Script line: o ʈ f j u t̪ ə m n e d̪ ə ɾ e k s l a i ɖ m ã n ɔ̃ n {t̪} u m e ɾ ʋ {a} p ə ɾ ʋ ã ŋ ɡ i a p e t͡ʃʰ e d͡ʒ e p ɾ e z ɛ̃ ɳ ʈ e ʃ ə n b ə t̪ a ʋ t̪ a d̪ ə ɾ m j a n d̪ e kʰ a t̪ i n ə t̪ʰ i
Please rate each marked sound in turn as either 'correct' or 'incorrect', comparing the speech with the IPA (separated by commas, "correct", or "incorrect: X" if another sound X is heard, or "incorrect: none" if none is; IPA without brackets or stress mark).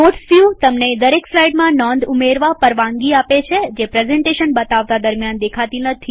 incorrect: d̪, correct